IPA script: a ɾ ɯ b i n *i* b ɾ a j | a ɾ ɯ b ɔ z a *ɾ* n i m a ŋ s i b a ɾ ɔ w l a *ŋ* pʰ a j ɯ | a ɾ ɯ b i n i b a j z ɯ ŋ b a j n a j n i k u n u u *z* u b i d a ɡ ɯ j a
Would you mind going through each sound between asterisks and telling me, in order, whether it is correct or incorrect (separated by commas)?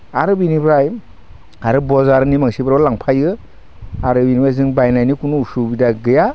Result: correct, correct, correct, incorrect